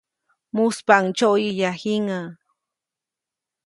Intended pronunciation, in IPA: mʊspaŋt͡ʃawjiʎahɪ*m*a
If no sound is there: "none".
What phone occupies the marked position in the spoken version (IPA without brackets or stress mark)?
ŋ